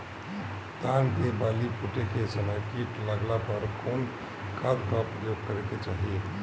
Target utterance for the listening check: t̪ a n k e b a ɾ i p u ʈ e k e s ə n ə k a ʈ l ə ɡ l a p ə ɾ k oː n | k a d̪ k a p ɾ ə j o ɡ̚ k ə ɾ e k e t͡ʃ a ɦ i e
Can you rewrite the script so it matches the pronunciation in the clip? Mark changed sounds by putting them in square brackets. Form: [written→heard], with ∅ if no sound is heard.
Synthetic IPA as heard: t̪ a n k e b a [ɾ→l] i p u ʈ e k e s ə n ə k [a→i] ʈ l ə ɡ l a p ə ɾ k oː n | k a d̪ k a p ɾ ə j o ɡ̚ k ə ɾ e k e t͡ʃ a ɦ i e